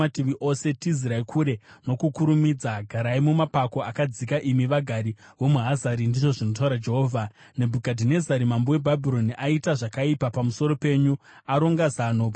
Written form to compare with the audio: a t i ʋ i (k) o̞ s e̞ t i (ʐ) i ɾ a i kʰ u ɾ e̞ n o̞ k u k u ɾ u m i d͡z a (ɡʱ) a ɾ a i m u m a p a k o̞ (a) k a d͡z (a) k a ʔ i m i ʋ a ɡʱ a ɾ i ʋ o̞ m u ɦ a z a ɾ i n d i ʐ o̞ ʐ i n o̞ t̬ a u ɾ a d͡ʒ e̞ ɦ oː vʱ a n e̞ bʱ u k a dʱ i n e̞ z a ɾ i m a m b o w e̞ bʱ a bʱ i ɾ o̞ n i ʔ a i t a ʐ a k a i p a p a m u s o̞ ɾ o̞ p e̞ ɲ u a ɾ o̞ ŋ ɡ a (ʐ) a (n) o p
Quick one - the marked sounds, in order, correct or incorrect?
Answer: incorrect: ʔ, incorrect: z, correct, correct, incorrect: i, incorrect: z, correct

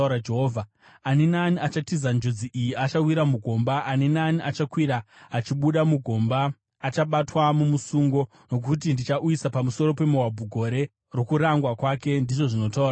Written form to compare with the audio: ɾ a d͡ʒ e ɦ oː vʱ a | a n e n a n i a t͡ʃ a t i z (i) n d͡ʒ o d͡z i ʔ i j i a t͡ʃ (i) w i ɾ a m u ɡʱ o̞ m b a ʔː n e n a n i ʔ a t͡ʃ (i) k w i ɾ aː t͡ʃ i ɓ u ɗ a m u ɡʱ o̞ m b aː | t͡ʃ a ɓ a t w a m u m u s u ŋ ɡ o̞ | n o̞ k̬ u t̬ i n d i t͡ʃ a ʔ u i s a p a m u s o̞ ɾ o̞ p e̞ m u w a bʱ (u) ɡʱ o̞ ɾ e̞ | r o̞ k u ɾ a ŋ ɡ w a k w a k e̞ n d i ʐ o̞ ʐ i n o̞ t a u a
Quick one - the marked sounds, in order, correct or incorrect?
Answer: incorrect: a, incorrect: a, incorrect: a, correct

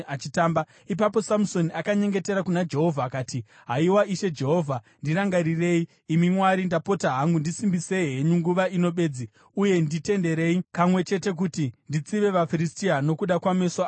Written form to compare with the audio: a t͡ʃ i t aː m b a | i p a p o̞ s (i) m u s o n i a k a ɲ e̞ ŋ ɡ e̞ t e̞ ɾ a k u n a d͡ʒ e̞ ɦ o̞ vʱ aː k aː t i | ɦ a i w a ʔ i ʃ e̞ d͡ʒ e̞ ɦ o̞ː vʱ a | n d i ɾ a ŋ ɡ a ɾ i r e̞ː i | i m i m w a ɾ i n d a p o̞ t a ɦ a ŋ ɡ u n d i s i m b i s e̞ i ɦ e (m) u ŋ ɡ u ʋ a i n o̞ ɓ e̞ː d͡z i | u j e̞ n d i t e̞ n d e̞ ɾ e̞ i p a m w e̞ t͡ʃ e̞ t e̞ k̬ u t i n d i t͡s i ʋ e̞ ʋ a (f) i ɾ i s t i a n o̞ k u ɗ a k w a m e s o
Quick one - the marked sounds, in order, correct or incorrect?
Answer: incorrect: a, incorrect: ɲ, correct

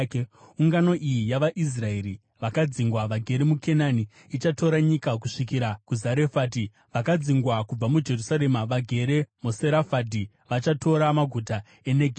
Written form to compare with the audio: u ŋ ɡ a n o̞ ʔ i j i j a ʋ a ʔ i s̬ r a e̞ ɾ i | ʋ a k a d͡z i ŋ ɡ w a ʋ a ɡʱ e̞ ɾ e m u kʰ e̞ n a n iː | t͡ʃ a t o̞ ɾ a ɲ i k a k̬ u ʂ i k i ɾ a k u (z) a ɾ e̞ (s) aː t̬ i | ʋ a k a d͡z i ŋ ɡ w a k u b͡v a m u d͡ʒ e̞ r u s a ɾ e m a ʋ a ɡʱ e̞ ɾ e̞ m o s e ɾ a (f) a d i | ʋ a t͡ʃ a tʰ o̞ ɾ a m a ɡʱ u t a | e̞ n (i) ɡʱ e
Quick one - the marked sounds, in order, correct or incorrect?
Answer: correct, incorrect: f, correct, incorrect: e

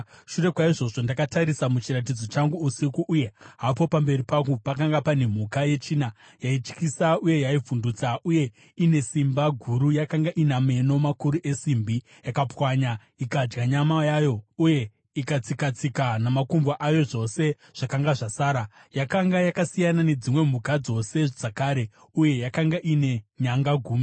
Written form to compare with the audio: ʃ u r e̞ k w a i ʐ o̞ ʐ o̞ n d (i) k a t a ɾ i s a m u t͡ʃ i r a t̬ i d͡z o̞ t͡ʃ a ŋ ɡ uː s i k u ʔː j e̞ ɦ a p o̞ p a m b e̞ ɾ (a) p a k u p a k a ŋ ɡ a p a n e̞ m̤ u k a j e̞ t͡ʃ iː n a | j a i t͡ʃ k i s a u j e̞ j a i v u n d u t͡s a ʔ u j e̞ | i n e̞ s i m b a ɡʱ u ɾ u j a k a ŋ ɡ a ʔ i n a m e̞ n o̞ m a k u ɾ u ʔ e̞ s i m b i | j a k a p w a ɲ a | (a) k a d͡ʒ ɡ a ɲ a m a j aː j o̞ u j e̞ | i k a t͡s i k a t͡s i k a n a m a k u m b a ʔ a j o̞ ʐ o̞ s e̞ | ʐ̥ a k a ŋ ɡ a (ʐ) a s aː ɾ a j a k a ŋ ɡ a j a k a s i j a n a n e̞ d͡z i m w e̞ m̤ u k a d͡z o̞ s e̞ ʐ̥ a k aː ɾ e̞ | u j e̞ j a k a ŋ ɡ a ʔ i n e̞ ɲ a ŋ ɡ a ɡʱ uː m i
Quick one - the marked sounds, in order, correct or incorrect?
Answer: incorrect: a, incorrect: i, incorrect: i, correct

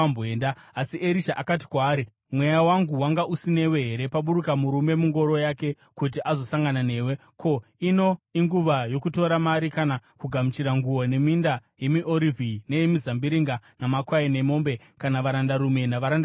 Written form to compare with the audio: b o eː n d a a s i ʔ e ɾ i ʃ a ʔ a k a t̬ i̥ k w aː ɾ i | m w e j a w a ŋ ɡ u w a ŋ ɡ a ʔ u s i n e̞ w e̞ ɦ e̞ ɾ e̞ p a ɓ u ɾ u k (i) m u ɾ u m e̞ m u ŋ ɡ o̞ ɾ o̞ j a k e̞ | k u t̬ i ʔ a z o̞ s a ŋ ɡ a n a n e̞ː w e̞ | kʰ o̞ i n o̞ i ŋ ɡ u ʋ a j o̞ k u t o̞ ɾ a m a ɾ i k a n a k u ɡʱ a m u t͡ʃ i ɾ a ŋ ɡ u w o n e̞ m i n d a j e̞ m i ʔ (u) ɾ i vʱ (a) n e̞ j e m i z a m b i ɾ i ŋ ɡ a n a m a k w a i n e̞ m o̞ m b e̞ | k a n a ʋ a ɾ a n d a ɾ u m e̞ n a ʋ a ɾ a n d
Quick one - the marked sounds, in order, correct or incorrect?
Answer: incorrect: a, incorrect: o, incorrect: i

